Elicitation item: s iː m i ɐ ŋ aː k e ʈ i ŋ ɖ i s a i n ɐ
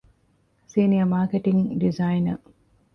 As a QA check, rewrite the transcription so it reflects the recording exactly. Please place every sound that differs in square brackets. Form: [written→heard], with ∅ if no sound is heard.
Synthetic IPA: s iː [m→n] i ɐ [ŋ→m] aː k e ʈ i ŋ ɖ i [s→z] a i n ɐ

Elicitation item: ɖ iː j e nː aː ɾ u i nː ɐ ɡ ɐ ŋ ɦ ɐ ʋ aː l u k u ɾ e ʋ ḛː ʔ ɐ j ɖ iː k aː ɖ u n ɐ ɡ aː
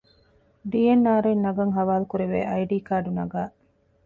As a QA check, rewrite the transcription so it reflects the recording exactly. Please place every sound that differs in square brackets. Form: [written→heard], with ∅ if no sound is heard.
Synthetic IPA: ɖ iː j e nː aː ɾ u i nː ɐ ɡ ɐ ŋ ɦ ɐ ʋ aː l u k u ɾ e ʋ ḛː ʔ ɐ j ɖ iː k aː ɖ u n ɐ ɡ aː

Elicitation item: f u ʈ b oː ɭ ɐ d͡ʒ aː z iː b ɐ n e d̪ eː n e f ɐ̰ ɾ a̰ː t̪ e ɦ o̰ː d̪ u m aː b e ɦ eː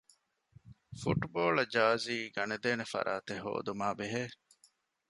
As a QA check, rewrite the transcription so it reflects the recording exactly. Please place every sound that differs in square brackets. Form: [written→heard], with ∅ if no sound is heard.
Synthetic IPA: f u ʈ b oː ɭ ɐ d͡ʒ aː z iː [b→ɡ] ɐ n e d̪ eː n e f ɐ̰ ɾ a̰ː t̪ e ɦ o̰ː d̪ u m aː b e ɦ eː

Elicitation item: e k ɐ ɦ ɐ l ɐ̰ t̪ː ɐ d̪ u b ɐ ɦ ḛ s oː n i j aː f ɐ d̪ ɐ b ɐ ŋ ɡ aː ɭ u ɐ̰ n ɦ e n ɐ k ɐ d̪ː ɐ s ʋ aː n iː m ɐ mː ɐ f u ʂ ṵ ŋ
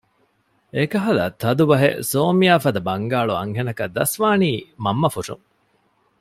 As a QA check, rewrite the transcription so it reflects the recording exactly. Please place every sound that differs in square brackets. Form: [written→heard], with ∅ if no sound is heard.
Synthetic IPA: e k ɐ ɦ ɐ l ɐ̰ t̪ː ɐ d̪ u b ɐ ɦ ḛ s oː [n→m] i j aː f ɐ d̪ ɐ b ɐ ŋ ɡ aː ɭ u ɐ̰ [n→ŋ] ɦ e n ɐ k ɐ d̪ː ɐ s ʋ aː n iː m ɐ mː ɐ f u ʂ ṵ ŋ

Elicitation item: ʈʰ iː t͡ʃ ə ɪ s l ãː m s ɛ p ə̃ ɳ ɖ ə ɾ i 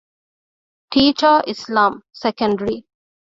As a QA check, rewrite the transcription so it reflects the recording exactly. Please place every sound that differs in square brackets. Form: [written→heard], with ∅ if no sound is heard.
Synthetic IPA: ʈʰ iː t͡ʃ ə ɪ s l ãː m s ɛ [p→k] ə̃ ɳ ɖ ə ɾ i

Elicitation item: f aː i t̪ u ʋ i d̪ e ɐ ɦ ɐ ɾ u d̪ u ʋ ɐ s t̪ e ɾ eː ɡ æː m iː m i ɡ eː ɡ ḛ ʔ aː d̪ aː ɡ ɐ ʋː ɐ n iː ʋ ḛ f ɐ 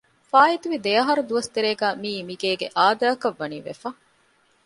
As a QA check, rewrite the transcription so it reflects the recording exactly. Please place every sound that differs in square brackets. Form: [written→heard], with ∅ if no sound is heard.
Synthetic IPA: f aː i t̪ u ʋ i d̪ e ɐ ɦ ɐ ɾ u d̪ u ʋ ɐ s t̪ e ɾ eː ɡ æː m iː m i ɡ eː ɡ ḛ ʔ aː d̪ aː [ɡ→k] ɐ ʋː ɐ n iː ʋ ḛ f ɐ

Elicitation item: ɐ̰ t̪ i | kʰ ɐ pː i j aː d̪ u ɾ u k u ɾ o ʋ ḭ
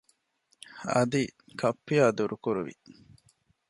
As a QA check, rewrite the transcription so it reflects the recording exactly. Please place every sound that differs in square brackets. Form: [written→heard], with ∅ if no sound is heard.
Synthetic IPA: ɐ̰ [t̪→d̪] i | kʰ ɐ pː i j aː d̪ u ɾ u k u ɾ [o→u] ʋ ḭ

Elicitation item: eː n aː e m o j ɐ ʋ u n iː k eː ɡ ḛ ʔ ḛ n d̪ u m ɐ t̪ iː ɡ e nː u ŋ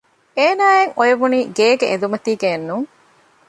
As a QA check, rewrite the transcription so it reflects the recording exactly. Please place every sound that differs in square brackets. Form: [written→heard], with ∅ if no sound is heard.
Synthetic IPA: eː n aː e [m→ŋ] o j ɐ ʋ u n iː [k→ɡ] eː ɡ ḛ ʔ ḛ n d̪ u m ɐ t̪ iː ɡ e nː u ŋ

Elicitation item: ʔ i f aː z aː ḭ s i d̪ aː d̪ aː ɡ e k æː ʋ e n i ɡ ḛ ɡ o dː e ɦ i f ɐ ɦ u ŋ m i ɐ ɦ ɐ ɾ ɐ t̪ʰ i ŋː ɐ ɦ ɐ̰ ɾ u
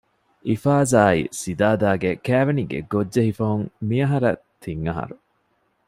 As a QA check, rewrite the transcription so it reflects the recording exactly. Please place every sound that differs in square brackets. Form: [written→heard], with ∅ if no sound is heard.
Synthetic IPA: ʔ i f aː z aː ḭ s i d̪ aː d̪ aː ɡ e k æː ʋ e n i ɡ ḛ ɡ o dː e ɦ i f ɐ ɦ u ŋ m i ɐ ɦ ɐ ɾ ɐ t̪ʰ i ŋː ɐ ɦ ɐ̰ ɾ u

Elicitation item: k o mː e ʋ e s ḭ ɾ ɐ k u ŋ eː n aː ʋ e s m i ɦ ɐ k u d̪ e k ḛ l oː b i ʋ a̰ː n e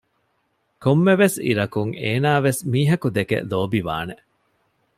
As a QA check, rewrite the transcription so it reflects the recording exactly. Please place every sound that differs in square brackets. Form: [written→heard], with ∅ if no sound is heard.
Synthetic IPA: k o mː e ʋ e s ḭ ɾ ɐ k u ŋ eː n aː ʋ e s m [i→iː] ɦ ɐ k u d̪ e k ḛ l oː b i ʋ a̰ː n e

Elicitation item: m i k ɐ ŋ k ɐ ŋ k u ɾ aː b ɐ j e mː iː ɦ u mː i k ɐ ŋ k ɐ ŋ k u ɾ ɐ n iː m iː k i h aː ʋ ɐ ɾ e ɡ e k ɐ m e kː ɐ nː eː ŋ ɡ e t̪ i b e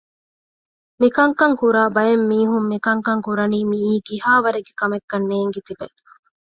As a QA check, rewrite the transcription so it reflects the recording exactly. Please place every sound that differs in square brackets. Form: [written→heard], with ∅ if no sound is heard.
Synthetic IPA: m i k ɐ ŋ k ɐ ŋ k u ɾ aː b ɐ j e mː iː ɦ u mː i k ɐ ŋ k ɐ ŋ k u ɾ ɐ n iː m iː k i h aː ʋ ɐ ɾ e ɡ e k ɐ m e kː ɐ nː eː ŋ ɡ e t̪ i b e

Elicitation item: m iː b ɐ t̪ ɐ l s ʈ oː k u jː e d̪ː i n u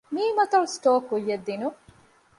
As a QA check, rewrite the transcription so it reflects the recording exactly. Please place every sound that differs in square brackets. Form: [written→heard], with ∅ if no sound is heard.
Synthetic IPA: m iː [b→m] ɐ t̪ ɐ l s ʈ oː k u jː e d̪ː i n u

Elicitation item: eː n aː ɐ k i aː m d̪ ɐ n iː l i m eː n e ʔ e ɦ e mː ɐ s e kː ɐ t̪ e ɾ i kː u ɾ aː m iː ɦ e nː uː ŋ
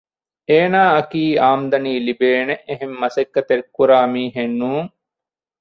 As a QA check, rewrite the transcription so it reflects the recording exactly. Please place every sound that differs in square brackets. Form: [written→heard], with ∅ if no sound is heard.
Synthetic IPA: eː n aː ɐ k [i→iː] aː m d̪ ɐ n iː l i [m→b] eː n e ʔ e ɦ e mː ɐ s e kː ɐ t̪ e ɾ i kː u ɾ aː m iː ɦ e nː uː ŋ

